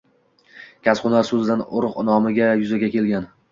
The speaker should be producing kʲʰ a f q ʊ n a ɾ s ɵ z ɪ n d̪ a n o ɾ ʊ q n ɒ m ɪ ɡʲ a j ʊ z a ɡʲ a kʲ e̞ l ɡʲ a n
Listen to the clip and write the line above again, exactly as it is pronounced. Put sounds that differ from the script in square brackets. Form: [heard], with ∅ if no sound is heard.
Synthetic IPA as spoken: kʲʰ a [s] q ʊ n a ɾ s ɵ z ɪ [∅] d̪ a n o ɾ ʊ q n ɒ m ɪ ɡʲ a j ʊ z a ɡʲ a kʲ e̞ l ɡʲ a n

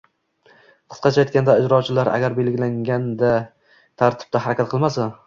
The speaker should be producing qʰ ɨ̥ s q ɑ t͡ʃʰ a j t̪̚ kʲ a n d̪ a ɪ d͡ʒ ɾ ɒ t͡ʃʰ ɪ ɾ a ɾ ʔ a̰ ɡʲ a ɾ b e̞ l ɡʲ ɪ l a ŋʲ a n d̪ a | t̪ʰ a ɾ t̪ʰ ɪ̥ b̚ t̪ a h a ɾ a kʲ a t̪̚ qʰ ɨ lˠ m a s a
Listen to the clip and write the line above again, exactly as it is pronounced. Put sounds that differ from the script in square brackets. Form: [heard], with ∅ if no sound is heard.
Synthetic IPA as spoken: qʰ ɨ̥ s q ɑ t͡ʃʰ a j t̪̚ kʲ a n d̪ a ɪ d͡ʒ ɾ ɒ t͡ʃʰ ɪ [l] a ɾ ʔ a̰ ɡʲ a ɾ b e̞ l ɡʲ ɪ l a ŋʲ a n d̪ a | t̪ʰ a ɾ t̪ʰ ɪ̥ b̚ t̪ a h a ɾ a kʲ a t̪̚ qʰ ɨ lˠ m a s a

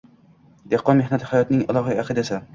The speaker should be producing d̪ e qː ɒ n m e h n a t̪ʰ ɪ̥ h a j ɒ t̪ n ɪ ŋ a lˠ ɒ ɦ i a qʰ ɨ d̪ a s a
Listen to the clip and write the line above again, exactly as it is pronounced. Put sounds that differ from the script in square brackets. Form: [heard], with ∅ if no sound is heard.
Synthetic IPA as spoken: d̪ e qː ɒ n m e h n a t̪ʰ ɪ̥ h a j ɒ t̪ n ɪ ŋ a lˠ ɒ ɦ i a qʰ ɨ d̪ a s a

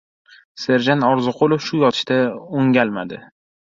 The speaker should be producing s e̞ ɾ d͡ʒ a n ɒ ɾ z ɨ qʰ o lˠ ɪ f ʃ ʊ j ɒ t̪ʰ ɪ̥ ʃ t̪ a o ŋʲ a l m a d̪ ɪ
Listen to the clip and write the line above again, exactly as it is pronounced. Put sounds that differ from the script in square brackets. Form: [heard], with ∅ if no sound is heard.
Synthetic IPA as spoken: s e̞ ɾ d͡ʒ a n ɒ ɾ z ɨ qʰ o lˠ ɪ f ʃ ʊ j ɒ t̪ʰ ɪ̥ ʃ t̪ a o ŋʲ a l m a d̪ ɪ

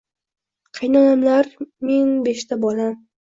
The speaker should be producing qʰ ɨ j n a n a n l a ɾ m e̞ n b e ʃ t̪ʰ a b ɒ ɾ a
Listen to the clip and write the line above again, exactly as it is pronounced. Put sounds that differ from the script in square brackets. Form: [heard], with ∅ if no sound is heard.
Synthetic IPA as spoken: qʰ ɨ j n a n a [m] l a ɾ m e̞ n b e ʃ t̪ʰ a b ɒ [l] a

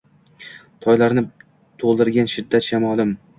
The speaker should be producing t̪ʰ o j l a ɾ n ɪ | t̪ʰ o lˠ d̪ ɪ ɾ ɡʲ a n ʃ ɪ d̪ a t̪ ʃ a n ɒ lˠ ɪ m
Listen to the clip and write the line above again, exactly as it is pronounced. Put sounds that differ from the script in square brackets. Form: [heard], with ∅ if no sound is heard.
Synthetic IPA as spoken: t̪ʰ [ɒ] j l a ɾ n ɪ | t̪ʰ o lˠ d̪ ɪ ɾ ɡʲ a n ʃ ɪ [d̪ː] a t̪ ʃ a [m] ɒ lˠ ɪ m

